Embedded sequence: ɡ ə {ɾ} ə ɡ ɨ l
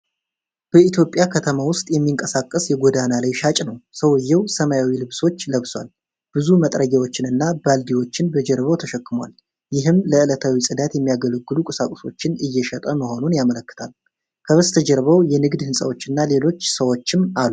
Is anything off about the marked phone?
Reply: yes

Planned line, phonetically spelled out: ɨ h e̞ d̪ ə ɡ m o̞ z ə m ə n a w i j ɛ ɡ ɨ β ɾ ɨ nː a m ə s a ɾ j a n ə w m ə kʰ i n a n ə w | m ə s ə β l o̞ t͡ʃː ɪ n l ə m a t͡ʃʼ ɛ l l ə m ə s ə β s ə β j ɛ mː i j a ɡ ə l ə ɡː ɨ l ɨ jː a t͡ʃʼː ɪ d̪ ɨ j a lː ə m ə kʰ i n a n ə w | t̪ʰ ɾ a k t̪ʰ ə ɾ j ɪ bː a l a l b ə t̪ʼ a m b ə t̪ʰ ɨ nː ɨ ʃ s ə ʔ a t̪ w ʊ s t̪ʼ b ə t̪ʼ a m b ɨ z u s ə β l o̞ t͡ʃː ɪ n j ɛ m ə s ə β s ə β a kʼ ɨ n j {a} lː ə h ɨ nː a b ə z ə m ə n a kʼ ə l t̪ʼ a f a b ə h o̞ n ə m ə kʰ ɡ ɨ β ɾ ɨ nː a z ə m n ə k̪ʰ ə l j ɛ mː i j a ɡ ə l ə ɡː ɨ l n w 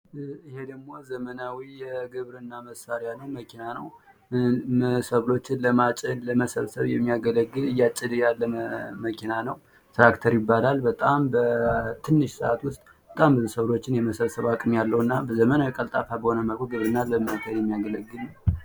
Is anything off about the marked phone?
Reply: no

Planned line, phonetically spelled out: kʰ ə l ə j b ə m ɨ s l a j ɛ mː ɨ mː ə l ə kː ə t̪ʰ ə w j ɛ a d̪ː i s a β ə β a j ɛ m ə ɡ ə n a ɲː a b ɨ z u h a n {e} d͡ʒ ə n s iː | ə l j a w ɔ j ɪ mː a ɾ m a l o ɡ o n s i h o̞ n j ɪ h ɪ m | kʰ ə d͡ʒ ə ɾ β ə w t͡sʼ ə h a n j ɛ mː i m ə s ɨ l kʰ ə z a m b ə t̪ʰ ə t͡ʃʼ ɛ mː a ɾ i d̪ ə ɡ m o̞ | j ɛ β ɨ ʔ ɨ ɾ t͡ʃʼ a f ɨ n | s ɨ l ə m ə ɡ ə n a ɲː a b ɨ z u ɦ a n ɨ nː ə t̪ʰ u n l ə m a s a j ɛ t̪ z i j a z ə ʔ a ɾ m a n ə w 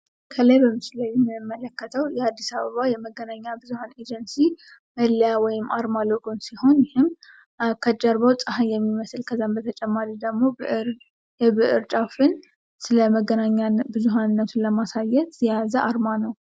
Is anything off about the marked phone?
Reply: no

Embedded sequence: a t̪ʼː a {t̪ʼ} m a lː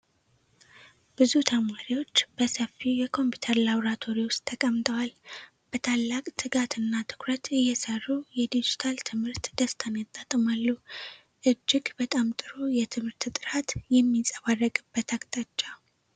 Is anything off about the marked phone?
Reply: no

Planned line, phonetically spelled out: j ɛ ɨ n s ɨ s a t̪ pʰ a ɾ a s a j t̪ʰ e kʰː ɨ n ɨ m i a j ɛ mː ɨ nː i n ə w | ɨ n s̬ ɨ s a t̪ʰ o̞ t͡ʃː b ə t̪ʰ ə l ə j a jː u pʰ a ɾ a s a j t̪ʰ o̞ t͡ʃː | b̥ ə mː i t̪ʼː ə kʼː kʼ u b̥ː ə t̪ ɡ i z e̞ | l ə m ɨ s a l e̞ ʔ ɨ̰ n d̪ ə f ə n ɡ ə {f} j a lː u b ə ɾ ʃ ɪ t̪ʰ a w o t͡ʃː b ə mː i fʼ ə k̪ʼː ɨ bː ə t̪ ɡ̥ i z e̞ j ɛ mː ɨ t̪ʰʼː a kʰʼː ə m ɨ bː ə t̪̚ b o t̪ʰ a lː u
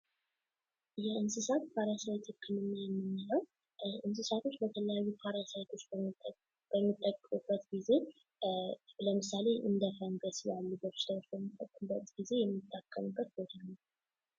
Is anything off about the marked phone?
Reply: yes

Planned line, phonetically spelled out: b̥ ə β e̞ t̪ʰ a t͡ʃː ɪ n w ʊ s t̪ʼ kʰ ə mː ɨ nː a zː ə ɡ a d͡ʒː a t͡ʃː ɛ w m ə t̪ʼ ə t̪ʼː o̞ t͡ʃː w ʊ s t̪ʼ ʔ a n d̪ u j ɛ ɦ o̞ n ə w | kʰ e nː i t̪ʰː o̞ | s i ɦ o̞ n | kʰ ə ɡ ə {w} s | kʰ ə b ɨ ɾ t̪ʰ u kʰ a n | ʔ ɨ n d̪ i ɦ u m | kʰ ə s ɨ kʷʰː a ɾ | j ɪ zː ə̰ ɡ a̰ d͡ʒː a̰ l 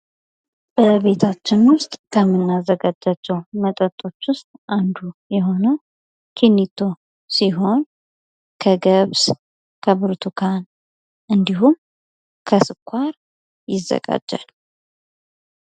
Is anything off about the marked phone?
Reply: yes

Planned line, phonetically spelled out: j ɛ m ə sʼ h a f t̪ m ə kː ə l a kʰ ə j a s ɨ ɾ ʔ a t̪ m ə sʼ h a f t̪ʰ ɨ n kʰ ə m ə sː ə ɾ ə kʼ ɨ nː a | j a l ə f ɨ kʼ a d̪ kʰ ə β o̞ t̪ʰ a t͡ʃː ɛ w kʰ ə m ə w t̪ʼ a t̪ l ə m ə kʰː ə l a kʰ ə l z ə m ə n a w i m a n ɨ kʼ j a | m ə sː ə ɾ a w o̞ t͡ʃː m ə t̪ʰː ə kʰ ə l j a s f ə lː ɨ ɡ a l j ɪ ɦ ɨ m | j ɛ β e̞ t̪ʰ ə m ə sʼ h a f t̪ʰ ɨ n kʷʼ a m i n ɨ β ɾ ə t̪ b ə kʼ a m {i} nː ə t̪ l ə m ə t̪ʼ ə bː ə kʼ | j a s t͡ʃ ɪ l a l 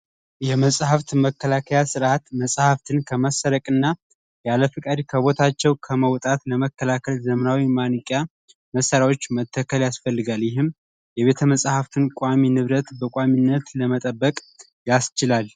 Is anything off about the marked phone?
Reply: no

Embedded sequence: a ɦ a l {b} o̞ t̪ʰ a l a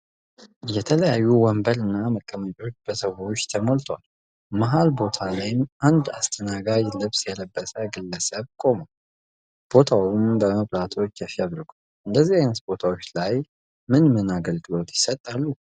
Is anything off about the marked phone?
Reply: no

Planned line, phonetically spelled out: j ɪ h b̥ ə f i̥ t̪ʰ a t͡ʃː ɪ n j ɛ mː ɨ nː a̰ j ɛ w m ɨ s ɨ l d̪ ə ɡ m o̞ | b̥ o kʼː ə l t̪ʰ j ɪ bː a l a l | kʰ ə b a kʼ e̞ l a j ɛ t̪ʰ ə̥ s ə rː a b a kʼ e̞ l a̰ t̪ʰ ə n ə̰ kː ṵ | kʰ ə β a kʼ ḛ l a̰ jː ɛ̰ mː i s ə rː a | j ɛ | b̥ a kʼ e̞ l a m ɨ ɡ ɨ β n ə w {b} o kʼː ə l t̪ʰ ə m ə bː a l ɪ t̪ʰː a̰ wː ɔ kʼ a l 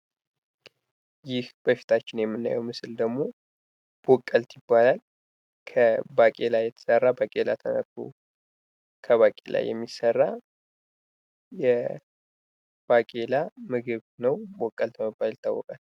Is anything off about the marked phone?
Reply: no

